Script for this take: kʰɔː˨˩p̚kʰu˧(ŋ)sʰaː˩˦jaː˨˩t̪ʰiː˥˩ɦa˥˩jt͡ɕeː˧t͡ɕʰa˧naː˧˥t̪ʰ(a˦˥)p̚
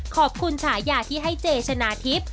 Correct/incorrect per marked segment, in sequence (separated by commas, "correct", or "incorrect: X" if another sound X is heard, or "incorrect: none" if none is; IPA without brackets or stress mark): incorrect: n, incorrect: i˦˥